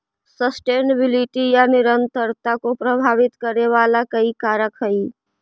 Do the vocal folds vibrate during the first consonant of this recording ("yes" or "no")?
no